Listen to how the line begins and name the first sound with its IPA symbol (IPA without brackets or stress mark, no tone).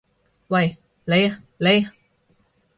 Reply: w